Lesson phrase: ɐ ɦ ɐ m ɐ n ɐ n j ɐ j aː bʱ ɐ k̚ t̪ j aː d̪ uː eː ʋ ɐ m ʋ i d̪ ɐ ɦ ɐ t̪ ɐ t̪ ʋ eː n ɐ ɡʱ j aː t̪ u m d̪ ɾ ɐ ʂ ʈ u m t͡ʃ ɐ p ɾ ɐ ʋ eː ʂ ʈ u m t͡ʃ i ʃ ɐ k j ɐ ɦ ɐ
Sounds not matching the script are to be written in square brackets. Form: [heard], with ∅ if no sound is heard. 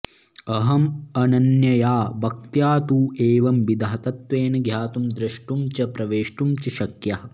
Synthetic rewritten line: ɐ ɦ ɐ m ɐ n ɐ n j ɐ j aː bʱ ɐ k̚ t̪ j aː [t̪] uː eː ʋ ɐ m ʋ i d̪ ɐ ɦ ɐ t̪ ɐ t̪ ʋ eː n ɐ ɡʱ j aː t̪ u m d̪ ɾ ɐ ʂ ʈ u m t͡ʃ ɐ p ɾ ɐ ʋ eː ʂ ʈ u m t͡ʃ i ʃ ɐ k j ɐ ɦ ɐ